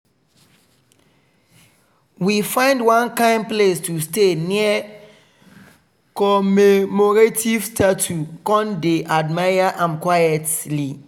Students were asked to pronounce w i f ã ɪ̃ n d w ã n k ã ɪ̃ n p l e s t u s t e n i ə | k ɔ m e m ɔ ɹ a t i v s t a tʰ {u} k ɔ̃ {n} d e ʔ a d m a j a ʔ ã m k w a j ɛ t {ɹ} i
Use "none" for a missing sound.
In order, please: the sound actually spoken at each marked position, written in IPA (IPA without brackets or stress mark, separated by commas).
u, n, l